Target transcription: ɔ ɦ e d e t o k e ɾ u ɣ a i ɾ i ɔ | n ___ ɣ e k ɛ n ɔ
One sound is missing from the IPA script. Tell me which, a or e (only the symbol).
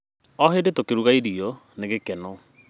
e